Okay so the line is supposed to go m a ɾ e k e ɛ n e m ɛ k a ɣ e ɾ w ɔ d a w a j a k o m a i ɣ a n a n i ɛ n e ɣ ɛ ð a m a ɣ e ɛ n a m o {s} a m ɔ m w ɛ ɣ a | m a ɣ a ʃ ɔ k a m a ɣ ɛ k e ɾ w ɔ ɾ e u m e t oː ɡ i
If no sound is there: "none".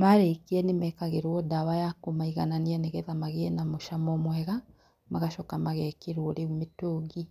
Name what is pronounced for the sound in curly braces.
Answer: ʃ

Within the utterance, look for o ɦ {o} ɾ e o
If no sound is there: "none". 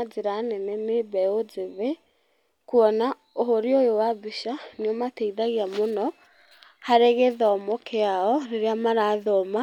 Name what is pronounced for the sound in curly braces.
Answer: o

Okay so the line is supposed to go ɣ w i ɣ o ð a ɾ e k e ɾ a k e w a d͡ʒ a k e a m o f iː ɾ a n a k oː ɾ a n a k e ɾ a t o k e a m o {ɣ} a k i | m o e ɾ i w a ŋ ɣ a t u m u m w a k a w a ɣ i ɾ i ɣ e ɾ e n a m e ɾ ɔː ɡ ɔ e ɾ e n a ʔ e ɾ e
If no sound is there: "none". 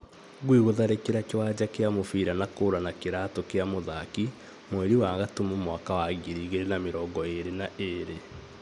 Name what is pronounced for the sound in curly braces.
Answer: ð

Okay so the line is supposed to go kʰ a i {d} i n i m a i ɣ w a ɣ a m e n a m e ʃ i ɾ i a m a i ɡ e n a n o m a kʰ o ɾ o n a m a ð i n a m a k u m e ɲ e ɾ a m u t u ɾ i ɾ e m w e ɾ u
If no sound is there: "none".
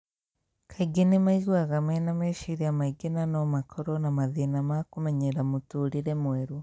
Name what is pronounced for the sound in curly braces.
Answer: ɡ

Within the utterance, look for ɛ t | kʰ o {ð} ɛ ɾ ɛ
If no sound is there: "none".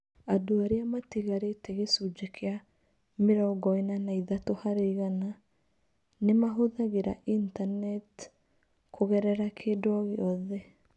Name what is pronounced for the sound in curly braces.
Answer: ɣ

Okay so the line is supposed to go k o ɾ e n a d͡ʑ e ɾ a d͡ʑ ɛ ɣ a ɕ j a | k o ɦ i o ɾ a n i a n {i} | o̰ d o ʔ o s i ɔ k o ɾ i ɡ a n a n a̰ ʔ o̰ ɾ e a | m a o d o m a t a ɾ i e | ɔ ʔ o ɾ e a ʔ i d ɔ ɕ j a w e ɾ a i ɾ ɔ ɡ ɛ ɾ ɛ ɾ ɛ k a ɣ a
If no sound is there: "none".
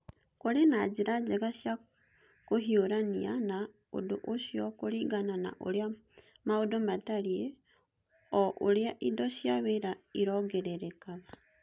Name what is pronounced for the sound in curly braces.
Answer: a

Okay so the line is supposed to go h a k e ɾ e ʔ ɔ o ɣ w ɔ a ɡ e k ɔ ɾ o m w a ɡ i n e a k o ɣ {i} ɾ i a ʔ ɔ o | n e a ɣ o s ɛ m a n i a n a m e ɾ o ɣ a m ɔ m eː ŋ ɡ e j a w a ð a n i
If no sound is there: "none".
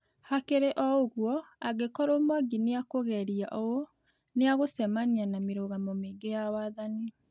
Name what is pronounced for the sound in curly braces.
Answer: ɛ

